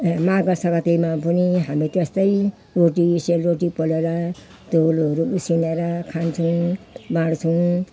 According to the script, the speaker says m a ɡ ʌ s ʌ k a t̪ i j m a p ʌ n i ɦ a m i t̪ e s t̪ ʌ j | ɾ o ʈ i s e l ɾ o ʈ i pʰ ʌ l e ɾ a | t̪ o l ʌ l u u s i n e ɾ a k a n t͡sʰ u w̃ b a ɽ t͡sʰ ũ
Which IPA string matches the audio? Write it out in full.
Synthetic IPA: m a ɡ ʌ s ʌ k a t̪ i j m a p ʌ n i ɦ a m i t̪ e s t̪ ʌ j | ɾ o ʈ i s e l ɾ o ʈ i p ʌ l e ɾ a | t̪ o l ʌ ɾ u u s i n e ɾ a kʰ a n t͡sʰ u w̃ b a ɽ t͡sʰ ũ